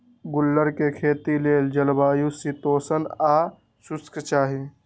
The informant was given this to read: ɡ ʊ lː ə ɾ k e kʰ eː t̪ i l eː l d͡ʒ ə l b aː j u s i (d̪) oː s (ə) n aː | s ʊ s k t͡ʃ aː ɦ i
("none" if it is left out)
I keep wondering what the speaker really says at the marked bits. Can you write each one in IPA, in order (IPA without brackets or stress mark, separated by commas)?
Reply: t̪, ə